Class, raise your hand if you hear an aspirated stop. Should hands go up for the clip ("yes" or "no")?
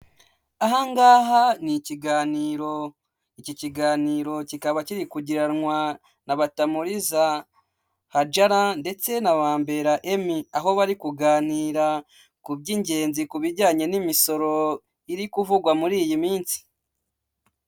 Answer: no